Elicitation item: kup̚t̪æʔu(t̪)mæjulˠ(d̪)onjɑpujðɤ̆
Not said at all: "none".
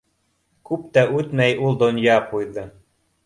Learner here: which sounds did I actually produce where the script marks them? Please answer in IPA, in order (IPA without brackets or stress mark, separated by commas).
t̪, d̪